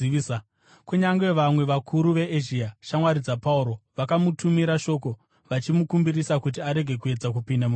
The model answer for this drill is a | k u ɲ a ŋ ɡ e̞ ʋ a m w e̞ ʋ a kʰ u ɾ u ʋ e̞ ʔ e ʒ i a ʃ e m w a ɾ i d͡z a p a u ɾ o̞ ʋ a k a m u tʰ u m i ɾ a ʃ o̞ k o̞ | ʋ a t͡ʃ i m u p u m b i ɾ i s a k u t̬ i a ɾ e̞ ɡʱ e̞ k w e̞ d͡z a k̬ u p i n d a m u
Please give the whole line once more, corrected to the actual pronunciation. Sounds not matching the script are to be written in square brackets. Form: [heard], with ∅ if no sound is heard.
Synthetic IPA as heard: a | k u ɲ a ŋ ɡ e̞ ʋ a m w e̞ ʋ a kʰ u ɾ u ʋ e̞ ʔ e ʒ i a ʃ [a] m w a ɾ i d͡z a p a u ɾ o̞ ʋ a k a m u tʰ u m i ɾ a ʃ o̞ k o̞ | ʋ a t͡ʃ i m u [k] u m b i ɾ i s a k u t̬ i a ɾ e̞ ɡʱ e̞ k [u] e̞ d͡z a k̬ u p i n d a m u